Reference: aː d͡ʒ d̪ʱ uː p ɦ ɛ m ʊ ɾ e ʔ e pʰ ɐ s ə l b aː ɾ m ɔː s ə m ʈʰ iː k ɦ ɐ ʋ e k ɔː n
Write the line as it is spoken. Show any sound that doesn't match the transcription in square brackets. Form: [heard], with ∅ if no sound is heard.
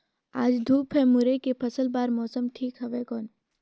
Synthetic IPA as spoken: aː d͡ʒ d̪ʱ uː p ɦ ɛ m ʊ ɾ e [k] e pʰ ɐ s ə l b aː ɾ m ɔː s ə m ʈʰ iː k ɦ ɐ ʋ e k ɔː n